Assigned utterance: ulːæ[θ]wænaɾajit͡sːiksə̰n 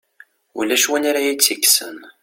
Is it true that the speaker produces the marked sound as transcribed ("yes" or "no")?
no